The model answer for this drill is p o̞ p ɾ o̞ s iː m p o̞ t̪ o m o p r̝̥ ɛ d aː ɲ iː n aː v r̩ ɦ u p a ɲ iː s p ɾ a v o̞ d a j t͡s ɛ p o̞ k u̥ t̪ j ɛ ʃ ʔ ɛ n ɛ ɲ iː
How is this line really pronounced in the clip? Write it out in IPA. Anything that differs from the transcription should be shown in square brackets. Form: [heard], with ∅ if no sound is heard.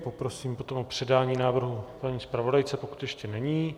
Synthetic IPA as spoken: p o̞ p ɾ o̞ s iː m p o̞ t̪ o m o p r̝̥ ɛ d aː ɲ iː n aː v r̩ ɦ u p a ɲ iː s p ɾ a v o̞ d a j t͡s ɛ p o̞ k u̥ t̪ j ɛ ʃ [c] ɛ n ɛ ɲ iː